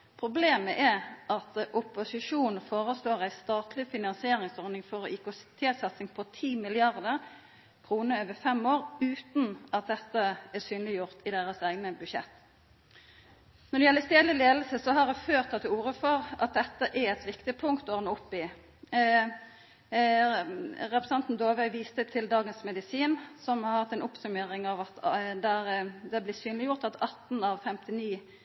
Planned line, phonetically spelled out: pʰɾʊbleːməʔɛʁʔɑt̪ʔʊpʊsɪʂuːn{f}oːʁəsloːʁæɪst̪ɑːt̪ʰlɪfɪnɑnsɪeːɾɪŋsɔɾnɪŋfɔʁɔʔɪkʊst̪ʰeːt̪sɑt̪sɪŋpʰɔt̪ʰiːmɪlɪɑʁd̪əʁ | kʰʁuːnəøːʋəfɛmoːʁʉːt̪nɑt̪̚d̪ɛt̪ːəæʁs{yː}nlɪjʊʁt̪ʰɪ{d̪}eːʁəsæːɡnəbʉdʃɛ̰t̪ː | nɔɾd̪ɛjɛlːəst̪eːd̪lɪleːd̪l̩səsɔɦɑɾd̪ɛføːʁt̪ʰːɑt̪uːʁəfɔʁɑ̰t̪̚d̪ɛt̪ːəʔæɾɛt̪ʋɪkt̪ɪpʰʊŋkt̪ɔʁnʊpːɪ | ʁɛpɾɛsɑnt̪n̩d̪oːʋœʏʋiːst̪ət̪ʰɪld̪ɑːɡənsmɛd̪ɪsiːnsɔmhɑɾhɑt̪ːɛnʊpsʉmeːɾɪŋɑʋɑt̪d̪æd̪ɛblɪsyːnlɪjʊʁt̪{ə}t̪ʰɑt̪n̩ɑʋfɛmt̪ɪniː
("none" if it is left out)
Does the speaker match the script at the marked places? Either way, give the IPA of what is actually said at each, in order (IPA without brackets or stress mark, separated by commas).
f, yː, d̪, ɑ